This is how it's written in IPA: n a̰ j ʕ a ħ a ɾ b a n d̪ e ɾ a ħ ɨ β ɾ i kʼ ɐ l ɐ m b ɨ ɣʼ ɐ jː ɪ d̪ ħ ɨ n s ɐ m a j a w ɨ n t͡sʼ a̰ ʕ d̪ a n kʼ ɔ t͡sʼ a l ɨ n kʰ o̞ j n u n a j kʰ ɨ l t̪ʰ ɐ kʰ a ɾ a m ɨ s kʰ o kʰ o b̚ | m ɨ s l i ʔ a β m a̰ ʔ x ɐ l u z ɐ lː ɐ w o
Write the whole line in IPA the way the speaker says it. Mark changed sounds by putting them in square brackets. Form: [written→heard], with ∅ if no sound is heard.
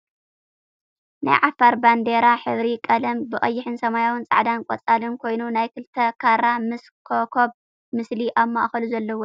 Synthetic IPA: n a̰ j ʕ a [ħ→f] a ɾ b a n d̪ e ɾ a ħ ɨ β ɾ i kʼ ɐ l ɐ m b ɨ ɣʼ ɐ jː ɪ [d̪→∅] ħ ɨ n s ɐ m a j a w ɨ n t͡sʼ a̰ ʕ d̪ a n kʼ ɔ t͡sʼ a l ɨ n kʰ o̞ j n u n a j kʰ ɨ l t̪ʰ ɐ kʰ a ɾ a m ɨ s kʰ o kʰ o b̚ | m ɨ s l i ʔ a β m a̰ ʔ x ɐ l u z ɐ lː ɐ w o